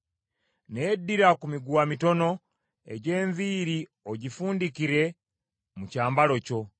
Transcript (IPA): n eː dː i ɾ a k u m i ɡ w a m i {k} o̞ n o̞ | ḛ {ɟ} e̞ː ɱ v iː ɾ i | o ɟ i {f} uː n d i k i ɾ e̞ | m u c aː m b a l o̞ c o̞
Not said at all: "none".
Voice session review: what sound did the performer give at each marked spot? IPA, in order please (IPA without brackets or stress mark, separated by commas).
t, ɟ, f